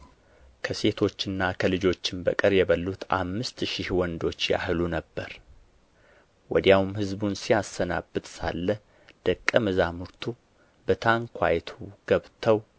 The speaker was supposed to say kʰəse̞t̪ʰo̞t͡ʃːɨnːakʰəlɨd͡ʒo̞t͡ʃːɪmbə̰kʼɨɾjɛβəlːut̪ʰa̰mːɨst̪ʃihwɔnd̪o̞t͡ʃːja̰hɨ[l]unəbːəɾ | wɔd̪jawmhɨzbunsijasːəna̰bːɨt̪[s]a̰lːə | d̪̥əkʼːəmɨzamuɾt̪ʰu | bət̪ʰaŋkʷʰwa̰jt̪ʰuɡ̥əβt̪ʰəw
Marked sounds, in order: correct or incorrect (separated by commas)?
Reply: correct, correct